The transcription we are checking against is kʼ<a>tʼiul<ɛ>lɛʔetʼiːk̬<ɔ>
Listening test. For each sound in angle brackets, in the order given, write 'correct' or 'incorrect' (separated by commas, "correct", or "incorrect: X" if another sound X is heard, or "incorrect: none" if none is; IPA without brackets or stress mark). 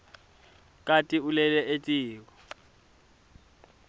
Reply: correct, correct, correct